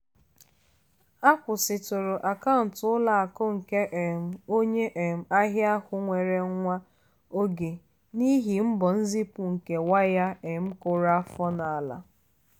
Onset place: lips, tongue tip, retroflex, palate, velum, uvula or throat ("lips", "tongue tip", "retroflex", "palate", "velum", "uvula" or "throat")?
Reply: velum